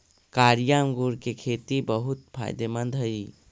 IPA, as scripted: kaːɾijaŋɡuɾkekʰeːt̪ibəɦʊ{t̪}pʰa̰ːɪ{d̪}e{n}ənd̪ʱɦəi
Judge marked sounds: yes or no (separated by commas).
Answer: yes, yes, no